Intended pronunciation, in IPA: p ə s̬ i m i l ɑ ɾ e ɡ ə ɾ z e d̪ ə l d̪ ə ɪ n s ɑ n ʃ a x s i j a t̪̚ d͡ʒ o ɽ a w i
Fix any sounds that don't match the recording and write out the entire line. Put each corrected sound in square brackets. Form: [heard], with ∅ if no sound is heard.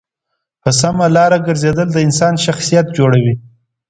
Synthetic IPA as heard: p ə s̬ [a] m [a] l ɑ ɾ [a] ɡ ə ɾ z e d̪ ə l d̪ ə ɪ n s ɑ n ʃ a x s i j a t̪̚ d͡ʒ o ɽ a w i